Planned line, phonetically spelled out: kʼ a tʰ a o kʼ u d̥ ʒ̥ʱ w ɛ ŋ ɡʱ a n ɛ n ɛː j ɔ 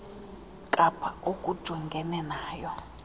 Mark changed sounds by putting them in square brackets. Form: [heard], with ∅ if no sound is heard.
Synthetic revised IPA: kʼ a [pʰ] a o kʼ u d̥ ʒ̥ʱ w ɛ ŋ ɡʱ [ɛ] n ɛ n [aː] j ɔ